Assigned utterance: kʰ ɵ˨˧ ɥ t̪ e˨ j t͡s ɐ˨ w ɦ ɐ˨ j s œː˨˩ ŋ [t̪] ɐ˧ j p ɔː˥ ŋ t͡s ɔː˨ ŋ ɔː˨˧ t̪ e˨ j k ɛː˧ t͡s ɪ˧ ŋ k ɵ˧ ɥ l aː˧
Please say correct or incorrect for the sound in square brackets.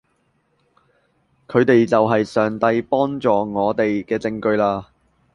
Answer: correct